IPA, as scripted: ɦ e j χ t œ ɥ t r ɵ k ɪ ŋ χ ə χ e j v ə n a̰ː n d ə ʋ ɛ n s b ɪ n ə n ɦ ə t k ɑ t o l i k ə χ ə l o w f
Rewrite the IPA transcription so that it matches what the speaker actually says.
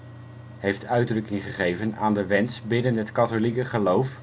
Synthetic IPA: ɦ e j f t œ ɥ d r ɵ k ɪ ŋ χ ə χ e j v ə n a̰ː n d ə ʋ ɛ n s b ɪ n ə n ɦ ə t k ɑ t o l i k ə χ ə l o w f